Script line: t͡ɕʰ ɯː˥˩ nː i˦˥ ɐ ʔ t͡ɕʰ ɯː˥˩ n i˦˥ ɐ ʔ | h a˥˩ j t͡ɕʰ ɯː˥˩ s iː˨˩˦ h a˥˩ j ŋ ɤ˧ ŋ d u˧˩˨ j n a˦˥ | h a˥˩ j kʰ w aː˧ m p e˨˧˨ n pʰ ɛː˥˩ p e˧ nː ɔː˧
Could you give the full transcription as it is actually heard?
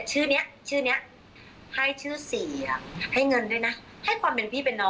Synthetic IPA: t͡ɕʰ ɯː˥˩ n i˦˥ ɐ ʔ t͡ɕʰ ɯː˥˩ n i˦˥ ɐ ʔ | h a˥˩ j t͡ɕʰ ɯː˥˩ s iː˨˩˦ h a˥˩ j ŋ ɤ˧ n d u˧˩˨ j n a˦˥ | h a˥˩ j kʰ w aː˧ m p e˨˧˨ n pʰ iː˥˩ p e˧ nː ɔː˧